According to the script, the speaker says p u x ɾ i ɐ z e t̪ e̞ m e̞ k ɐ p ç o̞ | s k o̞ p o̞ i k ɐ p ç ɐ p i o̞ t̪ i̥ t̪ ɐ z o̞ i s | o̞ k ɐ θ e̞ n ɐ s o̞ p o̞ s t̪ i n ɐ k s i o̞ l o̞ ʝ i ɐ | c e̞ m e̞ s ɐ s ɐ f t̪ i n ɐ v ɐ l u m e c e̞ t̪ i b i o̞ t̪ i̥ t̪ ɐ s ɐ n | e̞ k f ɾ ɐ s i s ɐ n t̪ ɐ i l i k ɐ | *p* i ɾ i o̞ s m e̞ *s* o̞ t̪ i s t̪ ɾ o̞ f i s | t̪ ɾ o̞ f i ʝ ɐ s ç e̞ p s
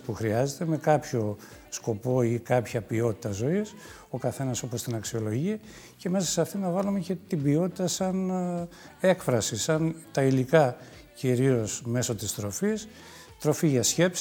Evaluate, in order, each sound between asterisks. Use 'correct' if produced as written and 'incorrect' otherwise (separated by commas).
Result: incorrect, correct